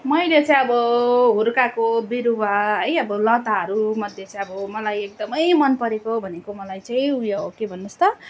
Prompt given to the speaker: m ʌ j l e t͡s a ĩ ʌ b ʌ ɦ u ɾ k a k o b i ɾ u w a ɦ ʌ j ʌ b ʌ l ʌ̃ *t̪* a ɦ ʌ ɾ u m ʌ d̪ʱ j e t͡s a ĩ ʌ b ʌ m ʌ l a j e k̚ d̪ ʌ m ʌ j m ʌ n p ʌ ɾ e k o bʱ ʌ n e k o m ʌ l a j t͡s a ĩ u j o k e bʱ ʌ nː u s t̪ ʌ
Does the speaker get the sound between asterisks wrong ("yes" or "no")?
no